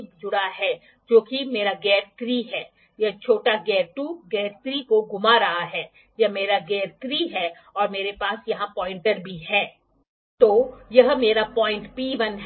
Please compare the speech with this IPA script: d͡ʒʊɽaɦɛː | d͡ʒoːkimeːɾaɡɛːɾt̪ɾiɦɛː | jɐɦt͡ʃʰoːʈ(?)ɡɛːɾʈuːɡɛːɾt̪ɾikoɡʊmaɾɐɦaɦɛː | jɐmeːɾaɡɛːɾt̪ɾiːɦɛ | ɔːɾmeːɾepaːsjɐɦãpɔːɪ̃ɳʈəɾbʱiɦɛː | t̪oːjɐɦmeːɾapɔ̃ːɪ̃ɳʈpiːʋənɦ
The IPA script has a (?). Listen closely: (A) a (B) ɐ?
A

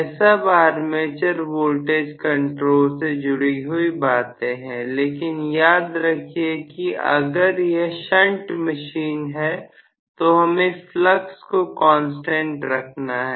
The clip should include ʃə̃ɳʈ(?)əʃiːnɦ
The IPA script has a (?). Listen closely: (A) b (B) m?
B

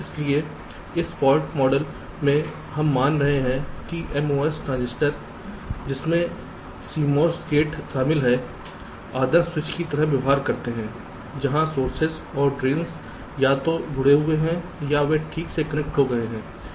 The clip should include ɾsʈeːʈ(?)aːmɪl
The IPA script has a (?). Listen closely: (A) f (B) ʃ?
B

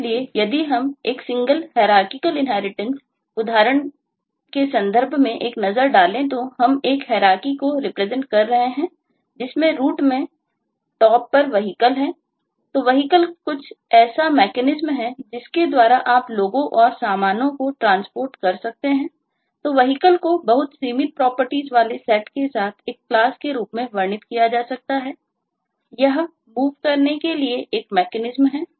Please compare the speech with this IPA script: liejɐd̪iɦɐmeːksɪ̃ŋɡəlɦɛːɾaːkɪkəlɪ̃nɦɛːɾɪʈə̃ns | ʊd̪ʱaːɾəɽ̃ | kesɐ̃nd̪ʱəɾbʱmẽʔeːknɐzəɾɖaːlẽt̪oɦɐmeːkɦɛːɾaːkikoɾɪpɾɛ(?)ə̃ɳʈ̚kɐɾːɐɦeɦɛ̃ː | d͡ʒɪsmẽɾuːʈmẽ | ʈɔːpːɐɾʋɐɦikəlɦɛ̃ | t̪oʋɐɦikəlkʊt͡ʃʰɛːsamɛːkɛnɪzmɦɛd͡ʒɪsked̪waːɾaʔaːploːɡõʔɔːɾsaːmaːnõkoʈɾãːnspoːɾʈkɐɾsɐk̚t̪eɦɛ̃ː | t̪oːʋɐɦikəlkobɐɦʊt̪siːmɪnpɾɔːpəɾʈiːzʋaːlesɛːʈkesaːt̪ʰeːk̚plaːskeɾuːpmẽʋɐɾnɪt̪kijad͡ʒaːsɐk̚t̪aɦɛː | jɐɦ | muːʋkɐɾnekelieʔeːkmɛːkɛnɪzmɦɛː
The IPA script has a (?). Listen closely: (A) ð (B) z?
B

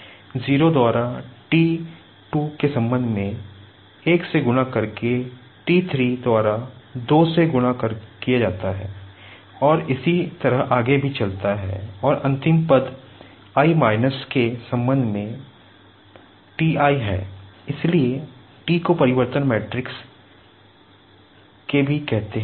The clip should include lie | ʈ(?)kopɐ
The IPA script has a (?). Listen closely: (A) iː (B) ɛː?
A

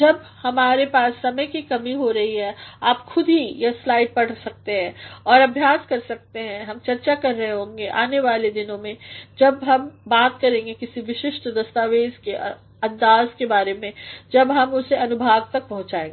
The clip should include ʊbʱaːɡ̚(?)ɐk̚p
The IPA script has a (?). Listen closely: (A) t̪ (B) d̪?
A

